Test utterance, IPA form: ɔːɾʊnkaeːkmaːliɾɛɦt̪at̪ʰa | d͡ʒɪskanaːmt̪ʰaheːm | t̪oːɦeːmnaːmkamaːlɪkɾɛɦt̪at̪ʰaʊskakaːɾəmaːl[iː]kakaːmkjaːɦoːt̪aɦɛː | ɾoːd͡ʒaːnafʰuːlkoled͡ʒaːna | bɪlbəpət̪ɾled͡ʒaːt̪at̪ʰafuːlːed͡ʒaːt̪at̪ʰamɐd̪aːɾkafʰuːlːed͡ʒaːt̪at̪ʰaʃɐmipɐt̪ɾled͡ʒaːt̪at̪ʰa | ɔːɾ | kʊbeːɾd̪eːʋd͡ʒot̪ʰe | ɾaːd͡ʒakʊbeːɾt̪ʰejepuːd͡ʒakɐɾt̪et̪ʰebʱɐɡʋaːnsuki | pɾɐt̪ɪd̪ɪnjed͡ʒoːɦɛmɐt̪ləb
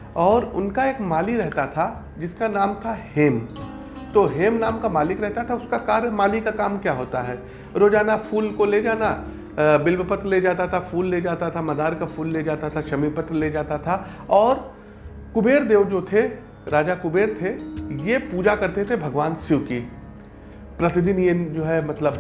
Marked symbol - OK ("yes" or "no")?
no